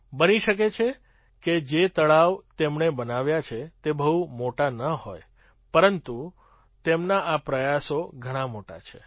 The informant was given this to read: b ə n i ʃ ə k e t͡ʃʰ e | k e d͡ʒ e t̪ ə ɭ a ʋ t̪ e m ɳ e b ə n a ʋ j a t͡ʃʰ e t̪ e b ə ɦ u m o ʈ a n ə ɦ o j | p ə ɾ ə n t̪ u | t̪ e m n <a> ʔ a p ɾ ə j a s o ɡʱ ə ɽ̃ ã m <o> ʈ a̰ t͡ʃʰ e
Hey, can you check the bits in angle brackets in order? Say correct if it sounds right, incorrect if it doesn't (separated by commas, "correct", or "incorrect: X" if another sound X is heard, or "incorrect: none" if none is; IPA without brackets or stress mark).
correct, correct